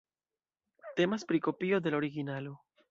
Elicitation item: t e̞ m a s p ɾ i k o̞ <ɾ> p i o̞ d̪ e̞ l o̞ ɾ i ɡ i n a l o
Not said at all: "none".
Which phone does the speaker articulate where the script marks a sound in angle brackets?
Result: none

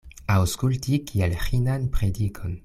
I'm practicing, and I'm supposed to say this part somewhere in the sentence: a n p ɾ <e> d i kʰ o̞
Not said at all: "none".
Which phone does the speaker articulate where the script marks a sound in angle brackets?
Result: e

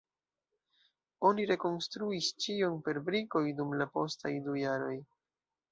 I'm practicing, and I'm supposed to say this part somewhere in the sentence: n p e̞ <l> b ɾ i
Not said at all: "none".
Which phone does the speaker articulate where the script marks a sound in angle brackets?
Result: ɾ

